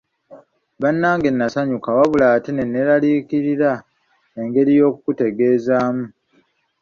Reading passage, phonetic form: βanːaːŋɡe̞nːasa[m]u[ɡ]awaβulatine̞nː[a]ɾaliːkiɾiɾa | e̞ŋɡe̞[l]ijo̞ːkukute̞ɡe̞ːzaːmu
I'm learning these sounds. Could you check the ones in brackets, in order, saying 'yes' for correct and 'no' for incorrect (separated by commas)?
no, no, no, no